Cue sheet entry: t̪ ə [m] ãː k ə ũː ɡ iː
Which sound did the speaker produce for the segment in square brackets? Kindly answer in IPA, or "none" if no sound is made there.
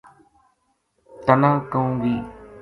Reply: n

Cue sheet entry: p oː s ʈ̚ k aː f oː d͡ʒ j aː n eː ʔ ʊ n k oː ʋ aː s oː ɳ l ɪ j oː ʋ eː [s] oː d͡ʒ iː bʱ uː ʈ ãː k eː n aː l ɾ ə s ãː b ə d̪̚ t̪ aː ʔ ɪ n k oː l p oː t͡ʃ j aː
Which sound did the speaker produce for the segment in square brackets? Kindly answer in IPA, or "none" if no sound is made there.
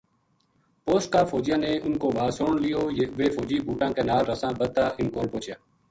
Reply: f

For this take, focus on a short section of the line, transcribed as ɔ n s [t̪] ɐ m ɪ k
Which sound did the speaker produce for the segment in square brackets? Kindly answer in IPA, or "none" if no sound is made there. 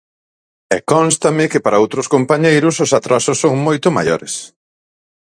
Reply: t̪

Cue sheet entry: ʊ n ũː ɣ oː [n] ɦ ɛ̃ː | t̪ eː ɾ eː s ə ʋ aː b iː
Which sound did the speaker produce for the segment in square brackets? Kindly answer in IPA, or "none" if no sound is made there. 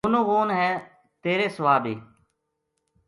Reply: n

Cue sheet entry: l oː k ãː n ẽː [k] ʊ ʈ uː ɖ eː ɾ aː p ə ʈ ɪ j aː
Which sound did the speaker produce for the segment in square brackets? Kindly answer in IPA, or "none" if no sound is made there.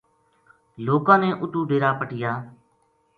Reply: ʔ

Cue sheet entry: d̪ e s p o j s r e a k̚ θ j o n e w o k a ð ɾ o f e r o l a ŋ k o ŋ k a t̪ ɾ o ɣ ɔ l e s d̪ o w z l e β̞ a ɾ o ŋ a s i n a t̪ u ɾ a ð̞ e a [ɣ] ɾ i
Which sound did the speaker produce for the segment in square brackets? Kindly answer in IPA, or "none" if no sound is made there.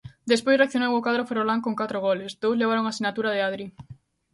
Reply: ð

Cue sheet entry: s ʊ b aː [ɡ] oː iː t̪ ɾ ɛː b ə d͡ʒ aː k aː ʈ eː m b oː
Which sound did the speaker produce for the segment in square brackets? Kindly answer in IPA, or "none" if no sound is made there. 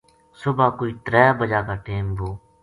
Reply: k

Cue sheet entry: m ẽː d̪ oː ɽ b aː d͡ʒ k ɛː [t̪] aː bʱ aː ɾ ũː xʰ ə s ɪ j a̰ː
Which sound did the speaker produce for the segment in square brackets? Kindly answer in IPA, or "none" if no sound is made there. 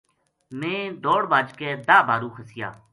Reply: d̪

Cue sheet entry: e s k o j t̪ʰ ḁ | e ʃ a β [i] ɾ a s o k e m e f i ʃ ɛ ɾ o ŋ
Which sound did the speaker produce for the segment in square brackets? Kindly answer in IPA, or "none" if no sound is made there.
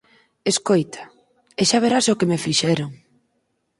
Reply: e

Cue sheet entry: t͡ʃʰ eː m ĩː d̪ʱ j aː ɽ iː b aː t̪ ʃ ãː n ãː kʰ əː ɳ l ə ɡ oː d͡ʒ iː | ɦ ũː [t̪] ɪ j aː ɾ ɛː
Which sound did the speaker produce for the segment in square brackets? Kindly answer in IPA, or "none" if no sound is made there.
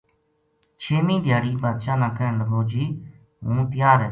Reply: t̪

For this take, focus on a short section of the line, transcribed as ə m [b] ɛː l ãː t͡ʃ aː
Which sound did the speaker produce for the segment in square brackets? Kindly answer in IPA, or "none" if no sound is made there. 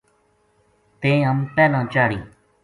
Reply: p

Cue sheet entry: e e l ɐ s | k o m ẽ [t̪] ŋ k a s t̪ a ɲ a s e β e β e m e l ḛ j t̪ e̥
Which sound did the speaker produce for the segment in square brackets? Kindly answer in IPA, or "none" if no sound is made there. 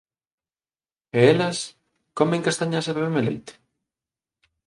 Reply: none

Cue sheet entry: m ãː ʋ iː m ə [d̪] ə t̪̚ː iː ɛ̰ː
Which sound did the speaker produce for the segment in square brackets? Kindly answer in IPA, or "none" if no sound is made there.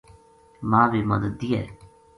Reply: d̪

